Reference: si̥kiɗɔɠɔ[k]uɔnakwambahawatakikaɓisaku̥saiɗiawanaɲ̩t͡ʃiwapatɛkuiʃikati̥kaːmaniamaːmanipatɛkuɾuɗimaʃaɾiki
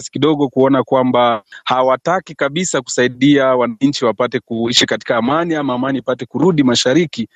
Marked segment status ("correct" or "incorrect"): correct